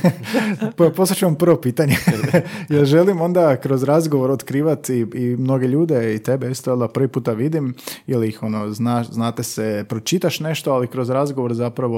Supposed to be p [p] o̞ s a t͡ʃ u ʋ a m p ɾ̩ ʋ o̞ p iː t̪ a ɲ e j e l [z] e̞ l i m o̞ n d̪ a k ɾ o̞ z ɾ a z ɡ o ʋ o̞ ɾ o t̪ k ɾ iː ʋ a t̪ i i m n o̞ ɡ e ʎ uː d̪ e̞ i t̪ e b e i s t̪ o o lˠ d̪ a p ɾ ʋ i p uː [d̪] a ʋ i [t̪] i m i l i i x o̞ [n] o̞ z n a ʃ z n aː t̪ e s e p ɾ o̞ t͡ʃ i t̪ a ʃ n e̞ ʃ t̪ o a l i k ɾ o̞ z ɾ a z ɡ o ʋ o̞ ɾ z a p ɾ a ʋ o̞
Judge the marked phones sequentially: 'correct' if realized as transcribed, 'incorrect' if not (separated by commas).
correct, incorrect, incorrect, incorrect, correct